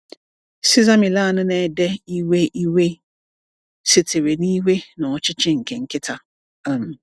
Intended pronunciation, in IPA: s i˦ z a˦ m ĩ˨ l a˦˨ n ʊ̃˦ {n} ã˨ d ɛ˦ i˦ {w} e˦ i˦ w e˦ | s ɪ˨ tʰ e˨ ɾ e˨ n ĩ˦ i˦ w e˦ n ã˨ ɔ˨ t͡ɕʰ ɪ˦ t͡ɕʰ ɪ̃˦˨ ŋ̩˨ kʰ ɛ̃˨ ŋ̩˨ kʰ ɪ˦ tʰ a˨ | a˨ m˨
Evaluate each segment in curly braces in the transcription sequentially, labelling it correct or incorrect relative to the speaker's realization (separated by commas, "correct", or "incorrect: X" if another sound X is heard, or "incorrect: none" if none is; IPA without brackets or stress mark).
correct, correct